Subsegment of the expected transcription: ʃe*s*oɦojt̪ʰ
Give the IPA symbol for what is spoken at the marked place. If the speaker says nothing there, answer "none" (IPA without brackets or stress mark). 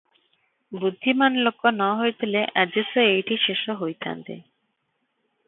ʃ